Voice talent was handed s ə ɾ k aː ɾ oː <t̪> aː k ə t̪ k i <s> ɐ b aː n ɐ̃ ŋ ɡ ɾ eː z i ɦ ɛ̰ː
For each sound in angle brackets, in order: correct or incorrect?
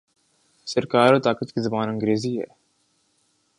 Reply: correct, incorrect: z

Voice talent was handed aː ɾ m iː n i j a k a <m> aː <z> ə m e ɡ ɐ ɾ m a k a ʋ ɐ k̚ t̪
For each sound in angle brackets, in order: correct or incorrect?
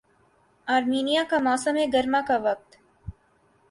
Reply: correct, incorrect: s

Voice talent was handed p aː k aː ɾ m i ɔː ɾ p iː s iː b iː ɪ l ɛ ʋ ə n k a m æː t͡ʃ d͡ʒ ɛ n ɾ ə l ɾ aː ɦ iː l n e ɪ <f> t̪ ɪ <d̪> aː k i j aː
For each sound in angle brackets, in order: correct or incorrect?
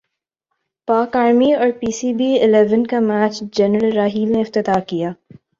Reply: correct, incorrect: t̪

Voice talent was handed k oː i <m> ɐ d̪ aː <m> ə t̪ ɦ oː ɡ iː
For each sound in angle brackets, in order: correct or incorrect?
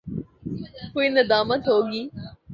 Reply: incorrect: n, correct

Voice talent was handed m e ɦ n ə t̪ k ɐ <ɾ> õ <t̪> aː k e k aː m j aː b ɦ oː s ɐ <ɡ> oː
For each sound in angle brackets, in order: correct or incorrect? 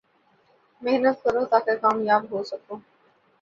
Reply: correct, correct, incorrect: k

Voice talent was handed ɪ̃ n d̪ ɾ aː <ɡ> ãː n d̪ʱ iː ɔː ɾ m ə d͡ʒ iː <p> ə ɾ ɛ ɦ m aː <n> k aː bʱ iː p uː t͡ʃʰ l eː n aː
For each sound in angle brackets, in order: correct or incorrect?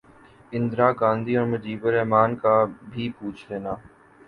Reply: correct, incorrect: b, correct

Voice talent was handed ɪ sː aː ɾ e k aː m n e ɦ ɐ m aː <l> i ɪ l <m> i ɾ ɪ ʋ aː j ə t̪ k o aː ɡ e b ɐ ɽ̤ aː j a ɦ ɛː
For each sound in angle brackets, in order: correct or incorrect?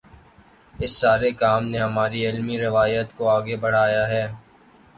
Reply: incorrect: ɾ, correct

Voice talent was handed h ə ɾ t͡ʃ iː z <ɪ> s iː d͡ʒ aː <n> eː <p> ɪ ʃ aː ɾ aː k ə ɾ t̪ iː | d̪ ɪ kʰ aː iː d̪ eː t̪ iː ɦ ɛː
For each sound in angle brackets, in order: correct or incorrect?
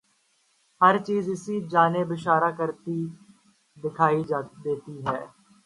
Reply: correct, correct, incorrect: b

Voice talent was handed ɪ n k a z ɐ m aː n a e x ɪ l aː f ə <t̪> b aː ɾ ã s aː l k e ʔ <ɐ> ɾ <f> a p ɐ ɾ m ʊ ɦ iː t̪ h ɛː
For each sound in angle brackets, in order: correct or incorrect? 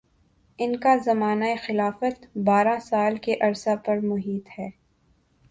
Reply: correct, correct, incorrect: s

